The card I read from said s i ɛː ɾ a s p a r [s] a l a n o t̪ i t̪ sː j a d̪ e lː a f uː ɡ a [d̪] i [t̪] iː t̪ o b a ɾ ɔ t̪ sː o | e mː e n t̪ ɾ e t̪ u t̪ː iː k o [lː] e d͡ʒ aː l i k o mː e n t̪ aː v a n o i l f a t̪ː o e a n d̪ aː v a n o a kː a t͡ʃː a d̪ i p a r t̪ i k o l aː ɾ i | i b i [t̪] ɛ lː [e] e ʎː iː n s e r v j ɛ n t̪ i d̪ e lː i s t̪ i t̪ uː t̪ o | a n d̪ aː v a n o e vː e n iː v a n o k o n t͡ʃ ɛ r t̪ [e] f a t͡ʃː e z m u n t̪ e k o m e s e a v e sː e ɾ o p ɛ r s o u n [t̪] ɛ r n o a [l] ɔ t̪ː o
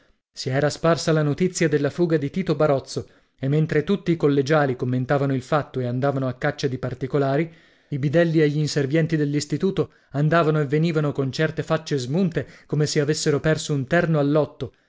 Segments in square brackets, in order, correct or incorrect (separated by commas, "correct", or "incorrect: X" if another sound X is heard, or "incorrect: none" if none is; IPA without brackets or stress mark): correct, correct, correct, correct, incorrect: d̪, incorrect: i, correct, correct, incorrect: lː